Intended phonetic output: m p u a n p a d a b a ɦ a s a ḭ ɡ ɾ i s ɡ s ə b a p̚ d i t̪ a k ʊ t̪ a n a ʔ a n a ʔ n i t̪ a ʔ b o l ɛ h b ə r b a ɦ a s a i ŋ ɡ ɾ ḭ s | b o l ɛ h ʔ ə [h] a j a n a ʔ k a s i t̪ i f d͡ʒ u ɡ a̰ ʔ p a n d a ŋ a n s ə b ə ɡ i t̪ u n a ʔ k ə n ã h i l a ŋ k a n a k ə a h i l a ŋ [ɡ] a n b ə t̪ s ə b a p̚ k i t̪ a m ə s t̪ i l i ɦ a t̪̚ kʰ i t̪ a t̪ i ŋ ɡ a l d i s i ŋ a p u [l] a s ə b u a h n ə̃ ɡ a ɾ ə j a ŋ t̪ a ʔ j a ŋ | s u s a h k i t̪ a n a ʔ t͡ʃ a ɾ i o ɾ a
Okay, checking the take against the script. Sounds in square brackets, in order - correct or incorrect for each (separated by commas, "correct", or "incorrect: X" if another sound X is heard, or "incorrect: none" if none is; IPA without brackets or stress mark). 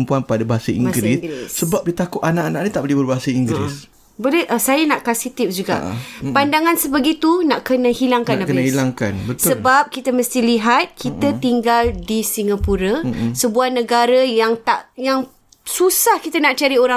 incorrect: s, incorrect: k, incorrect: ɾ